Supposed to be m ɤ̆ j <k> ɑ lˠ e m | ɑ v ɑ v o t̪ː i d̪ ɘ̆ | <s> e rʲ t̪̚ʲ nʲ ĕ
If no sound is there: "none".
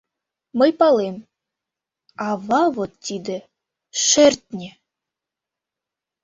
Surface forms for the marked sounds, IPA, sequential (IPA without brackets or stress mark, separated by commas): p, ʃ